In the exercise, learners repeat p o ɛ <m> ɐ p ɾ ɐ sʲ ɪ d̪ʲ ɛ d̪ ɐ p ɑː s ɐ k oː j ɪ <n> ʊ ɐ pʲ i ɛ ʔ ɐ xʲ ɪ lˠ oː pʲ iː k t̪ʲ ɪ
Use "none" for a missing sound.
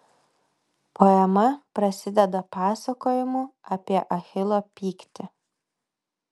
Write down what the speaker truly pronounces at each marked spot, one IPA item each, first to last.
m, m

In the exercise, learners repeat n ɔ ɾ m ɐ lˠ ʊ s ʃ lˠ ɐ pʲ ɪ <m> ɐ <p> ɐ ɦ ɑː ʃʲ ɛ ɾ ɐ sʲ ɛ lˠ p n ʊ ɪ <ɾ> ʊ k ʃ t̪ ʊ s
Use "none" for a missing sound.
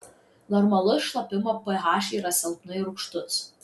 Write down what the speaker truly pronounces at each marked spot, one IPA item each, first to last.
m, p, ɾ

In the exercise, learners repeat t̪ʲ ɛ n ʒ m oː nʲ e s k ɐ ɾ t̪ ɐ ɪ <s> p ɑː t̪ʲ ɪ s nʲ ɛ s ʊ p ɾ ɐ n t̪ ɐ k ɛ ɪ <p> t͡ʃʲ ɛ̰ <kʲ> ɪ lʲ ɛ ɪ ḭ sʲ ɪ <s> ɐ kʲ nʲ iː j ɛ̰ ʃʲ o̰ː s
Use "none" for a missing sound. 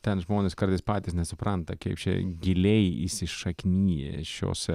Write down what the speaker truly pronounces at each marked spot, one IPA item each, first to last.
s, p, ɡʲ, ʃ

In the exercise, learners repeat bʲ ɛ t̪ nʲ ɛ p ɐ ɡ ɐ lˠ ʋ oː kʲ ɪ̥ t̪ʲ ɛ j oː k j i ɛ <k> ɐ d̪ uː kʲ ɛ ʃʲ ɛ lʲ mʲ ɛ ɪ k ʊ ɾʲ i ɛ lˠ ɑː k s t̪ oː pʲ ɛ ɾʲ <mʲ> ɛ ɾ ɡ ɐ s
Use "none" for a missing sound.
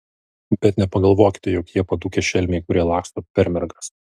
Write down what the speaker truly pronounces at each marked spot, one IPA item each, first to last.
p, mʲ

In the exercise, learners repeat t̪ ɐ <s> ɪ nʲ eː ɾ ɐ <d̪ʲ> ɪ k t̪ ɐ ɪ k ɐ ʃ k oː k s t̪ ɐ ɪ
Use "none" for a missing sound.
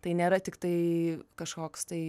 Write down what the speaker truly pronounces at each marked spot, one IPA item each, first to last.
none, t̪ʲ

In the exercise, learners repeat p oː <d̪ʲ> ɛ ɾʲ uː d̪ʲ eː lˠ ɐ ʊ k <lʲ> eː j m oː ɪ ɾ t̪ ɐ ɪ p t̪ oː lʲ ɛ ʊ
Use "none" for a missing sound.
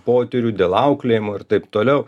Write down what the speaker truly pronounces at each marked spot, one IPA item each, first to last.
t̪ʲ, lʲ

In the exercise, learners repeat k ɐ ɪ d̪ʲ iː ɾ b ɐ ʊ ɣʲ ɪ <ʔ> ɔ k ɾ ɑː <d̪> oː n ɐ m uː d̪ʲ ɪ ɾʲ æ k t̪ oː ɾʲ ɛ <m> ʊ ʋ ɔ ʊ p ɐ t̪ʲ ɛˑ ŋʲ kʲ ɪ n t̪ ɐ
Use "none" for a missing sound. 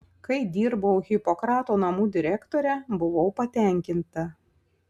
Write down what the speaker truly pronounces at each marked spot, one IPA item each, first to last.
p, t̪, b

